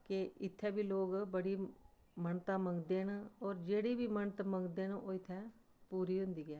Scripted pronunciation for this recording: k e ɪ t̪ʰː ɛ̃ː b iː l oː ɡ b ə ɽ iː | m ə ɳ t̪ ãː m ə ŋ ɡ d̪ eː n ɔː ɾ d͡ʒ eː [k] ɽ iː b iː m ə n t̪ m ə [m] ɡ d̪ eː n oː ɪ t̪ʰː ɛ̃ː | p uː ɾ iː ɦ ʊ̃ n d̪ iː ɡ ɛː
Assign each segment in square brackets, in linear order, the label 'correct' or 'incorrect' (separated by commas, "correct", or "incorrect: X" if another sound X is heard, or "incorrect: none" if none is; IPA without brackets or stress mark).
incorrect: none, incorrect: ŋ